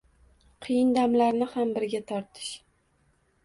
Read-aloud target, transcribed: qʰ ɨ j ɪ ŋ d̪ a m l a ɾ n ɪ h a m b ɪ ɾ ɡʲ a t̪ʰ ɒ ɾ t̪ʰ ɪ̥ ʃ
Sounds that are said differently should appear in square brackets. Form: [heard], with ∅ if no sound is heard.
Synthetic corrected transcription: qʰ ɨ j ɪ [n] d̪ a m l a ɾ n ɪ h a m b ɪ ɾ ɡʲ a t̪ʰ ɒ ɾ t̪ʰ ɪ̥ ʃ